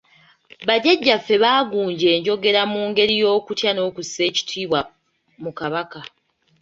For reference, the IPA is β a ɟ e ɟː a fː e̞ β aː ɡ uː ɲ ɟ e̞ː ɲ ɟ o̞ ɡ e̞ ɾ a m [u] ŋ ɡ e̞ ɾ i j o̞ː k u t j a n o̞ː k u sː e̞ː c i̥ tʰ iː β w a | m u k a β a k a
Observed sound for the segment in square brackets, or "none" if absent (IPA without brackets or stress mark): uː